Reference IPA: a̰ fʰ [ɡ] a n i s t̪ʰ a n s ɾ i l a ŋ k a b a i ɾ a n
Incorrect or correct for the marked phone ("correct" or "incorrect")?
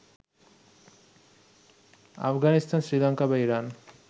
correct